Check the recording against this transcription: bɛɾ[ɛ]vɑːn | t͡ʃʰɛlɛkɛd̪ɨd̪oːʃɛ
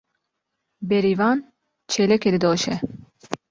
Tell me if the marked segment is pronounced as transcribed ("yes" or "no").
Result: no